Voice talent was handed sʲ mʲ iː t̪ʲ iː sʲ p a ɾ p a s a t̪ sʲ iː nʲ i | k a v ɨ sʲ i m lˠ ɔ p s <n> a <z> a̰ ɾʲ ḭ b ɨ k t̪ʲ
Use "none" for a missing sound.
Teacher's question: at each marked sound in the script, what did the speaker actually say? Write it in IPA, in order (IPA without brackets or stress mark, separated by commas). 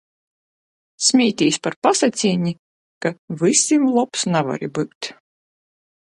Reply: n, v